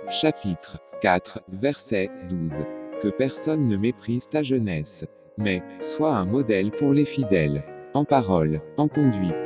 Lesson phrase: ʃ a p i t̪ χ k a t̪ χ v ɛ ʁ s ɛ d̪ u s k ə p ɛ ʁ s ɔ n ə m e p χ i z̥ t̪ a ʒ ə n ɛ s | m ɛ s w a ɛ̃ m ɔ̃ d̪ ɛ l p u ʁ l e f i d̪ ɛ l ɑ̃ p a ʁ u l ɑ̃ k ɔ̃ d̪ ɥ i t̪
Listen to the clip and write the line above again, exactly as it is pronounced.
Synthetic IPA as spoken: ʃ a p i t̪ χ k a t̪ χ v ɛ ʁ s ɛ d̪ u z k ə p ɛ ʁ s ɔ nː ə m e p χ i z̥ t̪ a ʒ ə n ɛ s | m ɛ s w a ɛ̃ m ɔ d̪ ɛ l p u ʁ l e f i d̪ ɛ l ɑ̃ p a ʁ ɔ l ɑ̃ k ɔ̃ d̪ ɥ i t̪